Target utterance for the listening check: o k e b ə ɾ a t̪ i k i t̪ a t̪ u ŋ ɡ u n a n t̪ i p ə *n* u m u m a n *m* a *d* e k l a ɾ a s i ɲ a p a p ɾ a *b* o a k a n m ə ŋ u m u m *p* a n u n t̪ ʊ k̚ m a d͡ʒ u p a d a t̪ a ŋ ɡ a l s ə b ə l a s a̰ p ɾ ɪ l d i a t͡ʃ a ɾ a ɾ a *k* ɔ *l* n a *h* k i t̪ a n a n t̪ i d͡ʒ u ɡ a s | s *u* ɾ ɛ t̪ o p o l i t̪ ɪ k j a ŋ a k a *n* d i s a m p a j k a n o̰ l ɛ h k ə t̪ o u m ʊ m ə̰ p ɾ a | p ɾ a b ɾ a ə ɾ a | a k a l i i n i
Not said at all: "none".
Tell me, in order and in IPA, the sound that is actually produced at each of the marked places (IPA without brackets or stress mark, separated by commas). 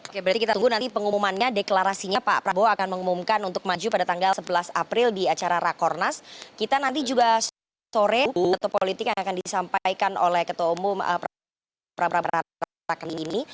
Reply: ŋ, ɲ, d, b, k, k, r, s, o, n